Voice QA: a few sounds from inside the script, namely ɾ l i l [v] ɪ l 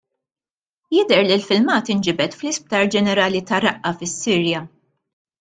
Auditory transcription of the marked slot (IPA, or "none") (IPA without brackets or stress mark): f